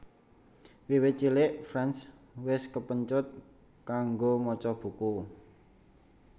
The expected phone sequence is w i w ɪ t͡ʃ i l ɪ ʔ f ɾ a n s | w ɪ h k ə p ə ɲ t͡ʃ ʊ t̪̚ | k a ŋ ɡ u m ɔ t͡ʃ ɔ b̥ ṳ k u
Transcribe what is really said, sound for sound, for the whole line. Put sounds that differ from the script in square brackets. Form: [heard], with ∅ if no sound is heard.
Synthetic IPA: w i w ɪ t͡ʃ i l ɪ ʔ f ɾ a n s | w ɪ [s] k ə p ə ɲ t͡ʃ ʊ t̪̚ | k a ŋ ɡ [o] m ɔ t͡ʃ ɔ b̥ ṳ k u